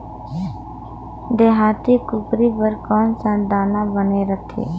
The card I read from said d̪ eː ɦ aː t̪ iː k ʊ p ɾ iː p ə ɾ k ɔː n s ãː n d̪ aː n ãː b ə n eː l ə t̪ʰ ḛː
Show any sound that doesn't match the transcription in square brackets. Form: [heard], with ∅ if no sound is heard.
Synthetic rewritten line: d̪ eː ɦ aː t̪ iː k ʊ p ɾ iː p ə ɾ k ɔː n s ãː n d̪ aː n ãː b ə n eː [ɾ] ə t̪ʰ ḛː